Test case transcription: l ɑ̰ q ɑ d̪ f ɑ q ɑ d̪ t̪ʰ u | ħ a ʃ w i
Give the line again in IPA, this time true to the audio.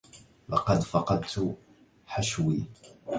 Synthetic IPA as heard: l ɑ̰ q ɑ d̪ f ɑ q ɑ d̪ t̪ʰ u | ħ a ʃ w i